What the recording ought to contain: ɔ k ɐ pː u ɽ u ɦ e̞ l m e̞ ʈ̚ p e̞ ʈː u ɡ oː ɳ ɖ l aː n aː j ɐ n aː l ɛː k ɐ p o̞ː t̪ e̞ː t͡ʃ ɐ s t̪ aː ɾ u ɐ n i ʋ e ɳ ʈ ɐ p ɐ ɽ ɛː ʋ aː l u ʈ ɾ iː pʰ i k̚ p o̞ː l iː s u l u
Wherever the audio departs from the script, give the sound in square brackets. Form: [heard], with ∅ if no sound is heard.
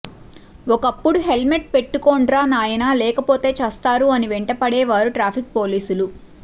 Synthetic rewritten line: ɔ k ɐ pː u ɽ u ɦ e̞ l m e̞ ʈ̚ p e̞ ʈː u [k] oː ɳ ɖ [ɾ] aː n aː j ɐ n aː l ɛː k ɐ p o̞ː t̪ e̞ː t͡ʃ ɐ s t̪ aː ɾ u ɐ n i ʋ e ɳ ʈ ɐ p ɐ ɽ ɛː ʋ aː [ɾ] u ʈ ɾ [aː] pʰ i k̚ p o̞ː l iː s u l u

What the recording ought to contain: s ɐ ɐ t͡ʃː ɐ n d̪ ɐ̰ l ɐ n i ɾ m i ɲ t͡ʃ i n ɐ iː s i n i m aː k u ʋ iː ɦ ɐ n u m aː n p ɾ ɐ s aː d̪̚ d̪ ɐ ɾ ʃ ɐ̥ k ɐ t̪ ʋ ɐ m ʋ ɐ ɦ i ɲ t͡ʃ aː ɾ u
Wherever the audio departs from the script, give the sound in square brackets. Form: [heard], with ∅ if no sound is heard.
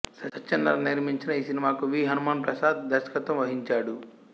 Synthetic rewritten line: s ɐ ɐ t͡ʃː ɐ n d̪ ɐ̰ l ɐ n i ɾ m i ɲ t͡ʃ i n ɐ iː s i n i m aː k u ʋ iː ɦ ɐ n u m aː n p ɾ ɐ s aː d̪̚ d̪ ɐ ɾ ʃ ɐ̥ k ɐ t̪ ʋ ɐ m ʋ ɐ ɦ i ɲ t͡ʃ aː [ɽ] u

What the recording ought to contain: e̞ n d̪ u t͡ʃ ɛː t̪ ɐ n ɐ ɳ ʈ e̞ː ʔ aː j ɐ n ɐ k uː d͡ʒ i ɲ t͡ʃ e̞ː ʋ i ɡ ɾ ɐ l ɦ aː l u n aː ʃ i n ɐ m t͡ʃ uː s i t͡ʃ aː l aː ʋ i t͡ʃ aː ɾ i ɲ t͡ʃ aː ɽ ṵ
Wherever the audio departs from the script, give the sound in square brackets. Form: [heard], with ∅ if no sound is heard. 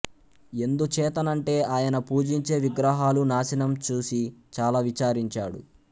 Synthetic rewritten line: e̞ n d̪ u t͡ʃ ɛː t̪ ɐ n ɐ ɳ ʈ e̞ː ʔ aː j ɐ n ɐ [p] uː d͡ʒ i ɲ t͡ʃ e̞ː ʋ i ɡ ɾ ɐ [∅] ɦ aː l u n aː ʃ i n ɐ m t͡ʃ uː s i t͡ʃ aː l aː ʋ i t͡ʃ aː ɾ i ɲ t͡ʃ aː ɽ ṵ

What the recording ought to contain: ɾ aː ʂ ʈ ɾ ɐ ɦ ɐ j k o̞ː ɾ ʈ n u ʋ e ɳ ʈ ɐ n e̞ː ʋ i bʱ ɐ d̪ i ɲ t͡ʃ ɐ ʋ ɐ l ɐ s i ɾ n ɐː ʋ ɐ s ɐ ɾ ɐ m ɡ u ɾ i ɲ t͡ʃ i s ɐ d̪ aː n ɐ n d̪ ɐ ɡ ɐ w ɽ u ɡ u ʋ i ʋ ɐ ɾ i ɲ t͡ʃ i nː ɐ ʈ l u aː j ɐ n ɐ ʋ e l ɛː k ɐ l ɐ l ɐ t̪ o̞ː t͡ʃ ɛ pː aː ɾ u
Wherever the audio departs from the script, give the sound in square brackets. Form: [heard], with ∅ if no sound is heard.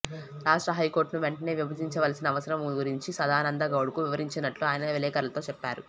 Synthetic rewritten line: ɾ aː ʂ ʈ ɾ ɐ ɦ ɐ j k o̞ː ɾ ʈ n u ʋ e ɳ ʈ ɐ n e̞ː ʋ i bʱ ɐ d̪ i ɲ t͡ʃ ɐ ʋ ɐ l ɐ s i [∅] n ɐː ʋ ɐ s ɐ ɾ ɐ m ɡ u ɾ i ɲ t͡ʃ i s ɐ d̪ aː n ɐ n d̪ ɐ ɡ ɐ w ɽ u [k] u ʋ i ʋ ɐ ɾ i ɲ t͡ʃ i [n] ɐ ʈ l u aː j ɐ n ɐ ʋ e l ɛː k ɐ [ɾ] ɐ l ɐ t̪ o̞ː t͡ʃ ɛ pː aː ɾ u

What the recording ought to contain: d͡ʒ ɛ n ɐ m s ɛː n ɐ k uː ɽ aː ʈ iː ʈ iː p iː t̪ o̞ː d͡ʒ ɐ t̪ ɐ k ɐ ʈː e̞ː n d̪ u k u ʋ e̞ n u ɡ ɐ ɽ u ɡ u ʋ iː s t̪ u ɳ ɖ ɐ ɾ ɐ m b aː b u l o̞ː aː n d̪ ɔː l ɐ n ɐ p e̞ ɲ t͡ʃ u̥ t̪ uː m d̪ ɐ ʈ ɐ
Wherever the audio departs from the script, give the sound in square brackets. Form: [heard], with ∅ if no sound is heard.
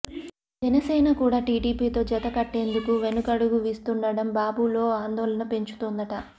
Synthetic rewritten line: d͡ʒ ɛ n ɐ [∅] s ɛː n ɐ k uː ɽ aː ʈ iː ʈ iː p iː t̪ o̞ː d͡ʒ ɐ t̪ ɐ k ɐ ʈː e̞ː n d̪ u k u ʋ e̞ n u [k] ɐ ɽ u ɡ u ʋ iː s t̪ u ɳ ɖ ɐ [ɽ] ɐ m b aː b u l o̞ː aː n d̪ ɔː l ɐ n ɐ p e̞ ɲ t͡ʃ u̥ t̪ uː [n] d̪ ɐ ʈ ɐ

